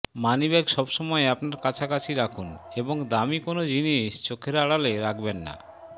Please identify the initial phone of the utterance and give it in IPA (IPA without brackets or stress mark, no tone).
m